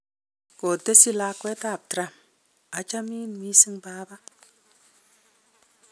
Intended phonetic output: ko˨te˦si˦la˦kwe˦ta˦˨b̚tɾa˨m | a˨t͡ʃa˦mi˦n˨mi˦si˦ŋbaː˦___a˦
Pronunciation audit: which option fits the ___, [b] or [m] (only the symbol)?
b